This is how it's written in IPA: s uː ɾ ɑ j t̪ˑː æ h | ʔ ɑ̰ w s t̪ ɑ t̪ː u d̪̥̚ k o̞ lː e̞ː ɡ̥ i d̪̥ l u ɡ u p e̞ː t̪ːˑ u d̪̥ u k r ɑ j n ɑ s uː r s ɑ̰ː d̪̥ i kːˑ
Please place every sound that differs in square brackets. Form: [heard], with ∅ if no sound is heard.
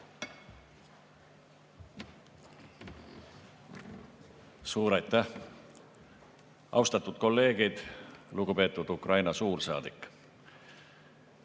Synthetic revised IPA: s uː ɾ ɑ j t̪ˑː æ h | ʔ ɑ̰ w s t̪ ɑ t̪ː u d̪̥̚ k o̞ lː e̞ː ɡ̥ i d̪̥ l u ɡ u p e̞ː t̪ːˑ u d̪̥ u k r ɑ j n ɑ s uː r s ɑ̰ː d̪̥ i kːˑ

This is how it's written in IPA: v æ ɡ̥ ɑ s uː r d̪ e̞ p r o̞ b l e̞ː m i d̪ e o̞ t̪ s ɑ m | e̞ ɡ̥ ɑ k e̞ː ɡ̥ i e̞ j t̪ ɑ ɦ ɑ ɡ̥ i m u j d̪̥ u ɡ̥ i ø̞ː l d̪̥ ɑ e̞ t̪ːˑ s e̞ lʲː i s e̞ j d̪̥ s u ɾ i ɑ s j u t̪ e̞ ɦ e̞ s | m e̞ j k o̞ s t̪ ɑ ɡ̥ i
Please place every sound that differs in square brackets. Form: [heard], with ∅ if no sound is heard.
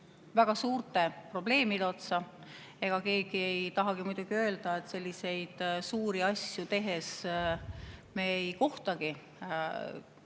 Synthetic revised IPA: v æ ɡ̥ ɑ s uː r [t̪] e̞ p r o̞ b l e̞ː m i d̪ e o̞ t̪ s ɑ [∅] | e̞ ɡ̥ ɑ k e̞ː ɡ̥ i e̞ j t̪ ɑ ɦ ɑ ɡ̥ i m u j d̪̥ u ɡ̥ i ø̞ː l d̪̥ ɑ e̞ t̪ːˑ s e̞ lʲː i s e̞ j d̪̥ s [uː] ɾ i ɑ s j u t̪ e̞ ɦ e̞ s | m e̞ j k o̞ [h] t̪ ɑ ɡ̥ i

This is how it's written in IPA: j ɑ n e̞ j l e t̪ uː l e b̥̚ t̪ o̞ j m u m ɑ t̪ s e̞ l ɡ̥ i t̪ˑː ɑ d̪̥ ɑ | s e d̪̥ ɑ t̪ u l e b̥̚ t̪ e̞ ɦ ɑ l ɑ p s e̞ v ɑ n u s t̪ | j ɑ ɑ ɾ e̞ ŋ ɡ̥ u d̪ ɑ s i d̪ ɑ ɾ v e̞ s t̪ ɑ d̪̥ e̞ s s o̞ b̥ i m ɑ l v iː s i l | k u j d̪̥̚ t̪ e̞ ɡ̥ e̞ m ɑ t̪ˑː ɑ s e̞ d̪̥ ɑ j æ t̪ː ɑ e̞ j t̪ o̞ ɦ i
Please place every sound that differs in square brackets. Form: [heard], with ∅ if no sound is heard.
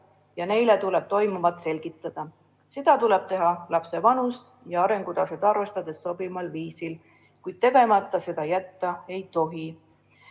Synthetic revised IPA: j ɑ n e̞ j l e t̪ [u] l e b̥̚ t̪ o̞ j m u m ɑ t̪ s e̞ l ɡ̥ i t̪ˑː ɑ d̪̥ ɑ | s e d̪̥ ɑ t̪ u l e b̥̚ t̪ e̞ ɦ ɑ l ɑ p s e̞ v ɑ n u s t̪ | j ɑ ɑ ɾ e̞ ŋ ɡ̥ u d̪ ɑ s [e] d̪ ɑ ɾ v e̞ s t̪ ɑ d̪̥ e̞ s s o̞ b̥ i m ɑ l v iː s i l | k u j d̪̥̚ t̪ e̞ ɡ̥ e̞ m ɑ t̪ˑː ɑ s e̞ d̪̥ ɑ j æ t̪ː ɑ e̞ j t̪ o̞ ɦ i

